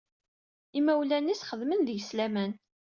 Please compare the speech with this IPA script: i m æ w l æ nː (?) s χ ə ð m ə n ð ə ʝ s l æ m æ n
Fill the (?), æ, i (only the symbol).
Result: i